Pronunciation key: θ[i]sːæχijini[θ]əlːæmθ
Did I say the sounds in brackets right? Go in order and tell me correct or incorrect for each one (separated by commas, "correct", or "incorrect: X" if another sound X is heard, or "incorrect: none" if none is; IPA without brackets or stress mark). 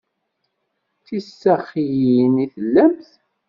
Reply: correct, correct